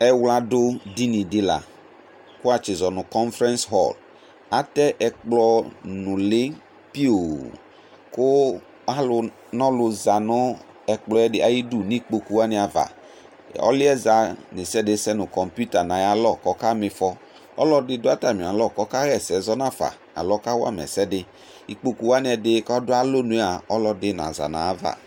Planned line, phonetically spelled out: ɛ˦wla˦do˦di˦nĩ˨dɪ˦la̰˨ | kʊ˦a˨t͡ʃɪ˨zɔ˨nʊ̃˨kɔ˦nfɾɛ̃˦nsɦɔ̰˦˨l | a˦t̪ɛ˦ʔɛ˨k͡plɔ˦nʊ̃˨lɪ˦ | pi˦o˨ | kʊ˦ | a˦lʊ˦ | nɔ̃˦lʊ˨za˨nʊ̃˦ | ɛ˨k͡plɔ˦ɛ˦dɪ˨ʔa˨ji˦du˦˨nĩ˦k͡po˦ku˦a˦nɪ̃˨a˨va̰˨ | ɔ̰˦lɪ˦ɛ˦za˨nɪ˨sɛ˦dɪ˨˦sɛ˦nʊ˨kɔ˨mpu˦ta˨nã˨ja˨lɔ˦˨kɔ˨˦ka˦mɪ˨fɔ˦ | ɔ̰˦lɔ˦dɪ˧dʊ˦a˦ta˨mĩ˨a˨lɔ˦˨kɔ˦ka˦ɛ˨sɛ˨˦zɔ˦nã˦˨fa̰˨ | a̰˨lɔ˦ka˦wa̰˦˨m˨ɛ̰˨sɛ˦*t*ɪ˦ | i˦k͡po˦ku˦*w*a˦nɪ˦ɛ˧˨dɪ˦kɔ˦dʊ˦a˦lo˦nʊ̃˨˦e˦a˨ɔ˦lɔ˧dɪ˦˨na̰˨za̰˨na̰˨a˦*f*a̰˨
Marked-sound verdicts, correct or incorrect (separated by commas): incorrect, correct, incorrect